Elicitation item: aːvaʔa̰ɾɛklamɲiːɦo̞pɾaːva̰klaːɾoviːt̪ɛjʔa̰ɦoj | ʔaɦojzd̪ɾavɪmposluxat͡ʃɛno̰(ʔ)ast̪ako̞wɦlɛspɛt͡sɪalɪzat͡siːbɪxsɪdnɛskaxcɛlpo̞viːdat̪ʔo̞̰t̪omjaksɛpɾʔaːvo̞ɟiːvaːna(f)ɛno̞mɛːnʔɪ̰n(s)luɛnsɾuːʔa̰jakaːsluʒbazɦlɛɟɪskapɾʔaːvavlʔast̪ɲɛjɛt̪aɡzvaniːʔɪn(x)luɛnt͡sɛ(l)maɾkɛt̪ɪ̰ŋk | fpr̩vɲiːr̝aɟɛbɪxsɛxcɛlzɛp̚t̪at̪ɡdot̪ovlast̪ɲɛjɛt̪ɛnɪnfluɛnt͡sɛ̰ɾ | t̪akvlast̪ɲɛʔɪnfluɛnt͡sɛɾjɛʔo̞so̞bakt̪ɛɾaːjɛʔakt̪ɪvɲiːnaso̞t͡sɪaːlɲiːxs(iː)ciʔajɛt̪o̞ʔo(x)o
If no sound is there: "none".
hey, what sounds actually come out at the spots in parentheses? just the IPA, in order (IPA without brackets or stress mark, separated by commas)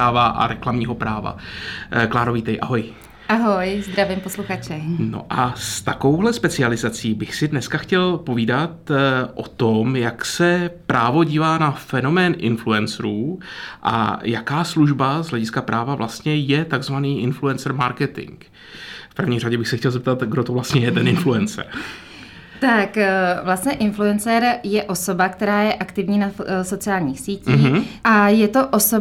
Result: ʔ, f, f, f, ɾ, iː, s